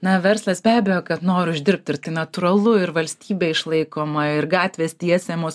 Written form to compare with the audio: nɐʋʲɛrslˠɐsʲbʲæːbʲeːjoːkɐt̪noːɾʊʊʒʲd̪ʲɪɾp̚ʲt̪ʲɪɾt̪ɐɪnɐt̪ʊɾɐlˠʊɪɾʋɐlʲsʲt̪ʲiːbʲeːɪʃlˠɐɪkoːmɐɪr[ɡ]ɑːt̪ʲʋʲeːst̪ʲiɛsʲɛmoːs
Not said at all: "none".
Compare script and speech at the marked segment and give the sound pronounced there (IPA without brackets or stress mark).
ɡ